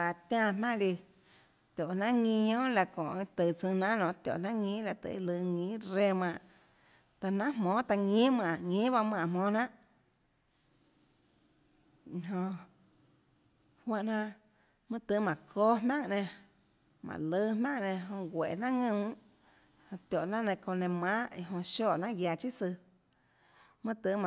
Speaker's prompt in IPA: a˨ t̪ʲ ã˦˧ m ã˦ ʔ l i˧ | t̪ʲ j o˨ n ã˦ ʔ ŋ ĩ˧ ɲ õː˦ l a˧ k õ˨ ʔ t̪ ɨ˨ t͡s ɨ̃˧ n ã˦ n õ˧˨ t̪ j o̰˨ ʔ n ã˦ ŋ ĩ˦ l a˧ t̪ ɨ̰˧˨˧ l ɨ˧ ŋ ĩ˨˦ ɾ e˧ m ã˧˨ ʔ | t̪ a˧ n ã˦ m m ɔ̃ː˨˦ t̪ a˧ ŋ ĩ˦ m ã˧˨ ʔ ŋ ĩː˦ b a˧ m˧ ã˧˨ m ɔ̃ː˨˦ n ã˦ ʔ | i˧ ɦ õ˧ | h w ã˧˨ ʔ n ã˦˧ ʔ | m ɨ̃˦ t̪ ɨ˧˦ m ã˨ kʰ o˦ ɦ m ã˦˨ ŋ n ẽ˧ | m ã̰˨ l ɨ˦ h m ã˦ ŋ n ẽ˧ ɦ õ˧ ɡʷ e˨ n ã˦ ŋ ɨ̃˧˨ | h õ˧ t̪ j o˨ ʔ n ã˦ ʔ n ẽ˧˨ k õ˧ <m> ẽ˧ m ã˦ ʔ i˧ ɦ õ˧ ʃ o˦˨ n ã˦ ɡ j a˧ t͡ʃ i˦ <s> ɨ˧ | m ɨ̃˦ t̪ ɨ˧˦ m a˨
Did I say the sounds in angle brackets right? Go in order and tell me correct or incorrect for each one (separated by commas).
incorrect, correct